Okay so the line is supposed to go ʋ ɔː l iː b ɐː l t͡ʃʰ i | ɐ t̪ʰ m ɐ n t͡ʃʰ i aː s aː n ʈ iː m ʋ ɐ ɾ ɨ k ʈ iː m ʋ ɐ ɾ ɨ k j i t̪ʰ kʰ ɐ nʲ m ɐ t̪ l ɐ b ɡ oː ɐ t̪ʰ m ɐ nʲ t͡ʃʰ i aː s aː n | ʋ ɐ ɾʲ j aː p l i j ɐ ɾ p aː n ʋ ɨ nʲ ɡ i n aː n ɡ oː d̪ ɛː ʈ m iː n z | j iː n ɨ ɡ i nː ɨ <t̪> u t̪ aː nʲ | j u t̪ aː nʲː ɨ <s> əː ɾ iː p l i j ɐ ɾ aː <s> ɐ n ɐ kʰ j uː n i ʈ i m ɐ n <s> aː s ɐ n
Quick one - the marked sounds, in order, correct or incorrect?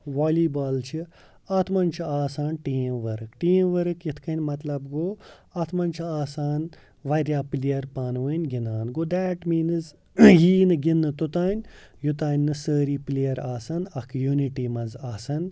correct, correct, correct, incorrect

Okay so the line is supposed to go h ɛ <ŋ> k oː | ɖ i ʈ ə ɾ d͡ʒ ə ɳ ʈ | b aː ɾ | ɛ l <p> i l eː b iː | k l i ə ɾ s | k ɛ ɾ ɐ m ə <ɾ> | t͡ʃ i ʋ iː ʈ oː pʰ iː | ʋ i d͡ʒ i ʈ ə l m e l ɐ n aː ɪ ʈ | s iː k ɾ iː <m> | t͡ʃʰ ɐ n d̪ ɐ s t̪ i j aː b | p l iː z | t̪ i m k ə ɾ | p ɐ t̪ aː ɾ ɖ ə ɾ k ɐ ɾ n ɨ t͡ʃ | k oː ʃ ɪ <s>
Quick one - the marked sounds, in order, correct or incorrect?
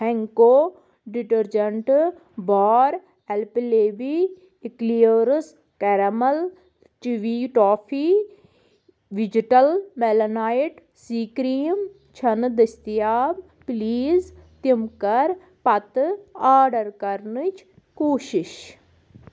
correct, correct, incorrect, correct, incorrect

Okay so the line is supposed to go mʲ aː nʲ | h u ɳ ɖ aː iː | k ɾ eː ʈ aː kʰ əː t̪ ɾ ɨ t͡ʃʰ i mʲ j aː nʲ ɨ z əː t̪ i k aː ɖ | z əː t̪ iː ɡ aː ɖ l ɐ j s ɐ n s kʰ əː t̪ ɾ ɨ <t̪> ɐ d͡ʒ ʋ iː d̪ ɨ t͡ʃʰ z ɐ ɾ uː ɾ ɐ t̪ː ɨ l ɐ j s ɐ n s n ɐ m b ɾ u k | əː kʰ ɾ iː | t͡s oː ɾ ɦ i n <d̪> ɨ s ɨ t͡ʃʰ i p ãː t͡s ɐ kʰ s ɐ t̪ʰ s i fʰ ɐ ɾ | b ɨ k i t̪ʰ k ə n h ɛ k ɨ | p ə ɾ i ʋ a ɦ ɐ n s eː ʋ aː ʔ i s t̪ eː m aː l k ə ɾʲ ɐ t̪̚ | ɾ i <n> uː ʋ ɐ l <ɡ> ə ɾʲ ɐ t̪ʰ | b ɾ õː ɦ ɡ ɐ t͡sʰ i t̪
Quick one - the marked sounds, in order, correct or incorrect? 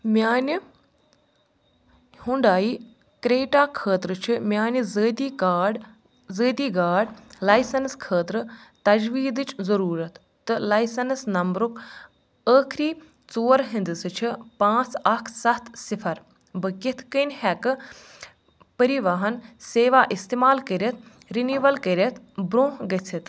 correct, correct, correct, incorrect

